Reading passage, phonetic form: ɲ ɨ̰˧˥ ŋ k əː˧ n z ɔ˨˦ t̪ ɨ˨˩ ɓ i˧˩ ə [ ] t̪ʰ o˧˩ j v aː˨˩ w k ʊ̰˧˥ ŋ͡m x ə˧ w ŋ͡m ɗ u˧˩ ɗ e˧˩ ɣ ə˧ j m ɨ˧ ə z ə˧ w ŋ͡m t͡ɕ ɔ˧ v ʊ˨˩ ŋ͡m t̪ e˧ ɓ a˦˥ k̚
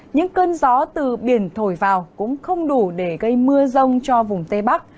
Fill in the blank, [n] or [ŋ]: n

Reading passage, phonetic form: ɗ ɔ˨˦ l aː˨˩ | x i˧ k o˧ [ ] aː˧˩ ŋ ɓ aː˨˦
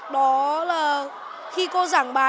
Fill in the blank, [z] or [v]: z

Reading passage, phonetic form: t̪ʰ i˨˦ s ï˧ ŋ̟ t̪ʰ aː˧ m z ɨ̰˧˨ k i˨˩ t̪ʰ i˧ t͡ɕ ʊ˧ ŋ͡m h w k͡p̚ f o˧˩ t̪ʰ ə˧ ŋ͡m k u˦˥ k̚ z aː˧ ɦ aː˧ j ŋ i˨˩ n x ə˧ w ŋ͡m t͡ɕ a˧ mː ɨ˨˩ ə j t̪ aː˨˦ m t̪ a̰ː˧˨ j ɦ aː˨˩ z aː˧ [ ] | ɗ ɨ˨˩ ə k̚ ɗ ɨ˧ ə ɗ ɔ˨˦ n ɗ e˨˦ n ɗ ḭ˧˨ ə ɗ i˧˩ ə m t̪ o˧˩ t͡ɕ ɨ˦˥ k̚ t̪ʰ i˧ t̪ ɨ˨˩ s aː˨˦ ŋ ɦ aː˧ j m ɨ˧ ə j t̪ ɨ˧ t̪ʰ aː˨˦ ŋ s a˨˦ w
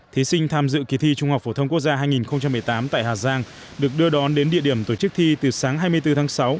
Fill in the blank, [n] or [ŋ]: ŋ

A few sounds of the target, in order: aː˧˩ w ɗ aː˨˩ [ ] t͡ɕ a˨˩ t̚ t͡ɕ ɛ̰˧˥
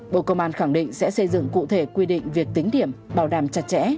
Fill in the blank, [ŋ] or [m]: m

